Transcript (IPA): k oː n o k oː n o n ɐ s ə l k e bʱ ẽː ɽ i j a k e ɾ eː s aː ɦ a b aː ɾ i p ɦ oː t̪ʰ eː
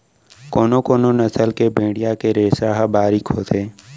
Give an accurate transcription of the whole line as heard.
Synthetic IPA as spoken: k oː n o k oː n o n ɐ s ə l k e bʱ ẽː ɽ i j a k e ɾ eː s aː ɦ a b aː ɾ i k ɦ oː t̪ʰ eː